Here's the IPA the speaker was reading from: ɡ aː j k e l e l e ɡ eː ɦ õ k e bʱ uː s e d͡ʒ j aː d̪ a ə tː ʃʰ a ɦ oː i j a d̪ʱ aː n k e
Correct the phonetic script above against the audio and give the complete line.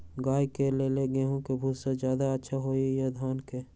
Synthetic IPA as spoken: ɡ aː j k e l e l e ɡ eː ɦ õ k e bʱ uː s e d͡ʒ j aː d̪ a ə tː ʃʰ a ɦ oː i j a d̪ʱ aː n k e